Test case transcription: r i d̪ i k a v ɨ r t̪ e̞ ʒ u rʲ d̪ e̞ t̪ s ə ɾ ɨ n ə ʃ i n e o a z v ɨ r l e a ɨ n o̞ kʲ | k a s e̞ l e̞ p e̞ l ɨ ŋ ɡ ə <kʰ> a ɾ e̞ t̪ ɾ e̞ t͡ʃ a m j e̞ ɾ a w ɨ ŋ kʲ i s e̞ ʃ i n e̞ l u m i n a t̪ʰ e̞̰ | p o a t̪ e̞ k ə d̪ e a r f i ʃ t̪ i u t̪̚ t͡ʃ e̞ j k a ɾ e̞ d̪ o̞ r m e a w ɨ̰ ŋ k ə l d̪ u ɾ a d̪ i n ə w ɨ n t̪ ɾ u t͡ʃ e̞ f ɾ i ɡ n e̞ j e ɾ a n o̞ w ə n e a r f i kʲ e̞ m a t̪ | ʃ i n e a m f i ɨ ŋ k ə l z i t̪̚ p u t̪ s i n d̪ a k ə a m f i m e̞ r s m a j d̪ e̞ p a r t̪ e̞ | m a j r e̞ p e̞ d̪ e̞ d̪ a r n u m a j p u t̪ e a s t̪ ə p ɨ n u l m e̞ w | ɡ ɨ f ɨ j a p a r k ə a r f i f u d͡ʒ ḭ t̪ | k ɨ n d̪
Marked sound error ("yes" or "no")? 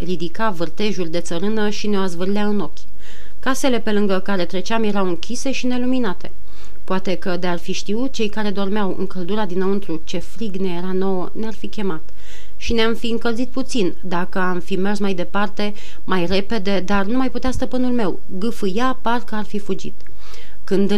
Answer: yes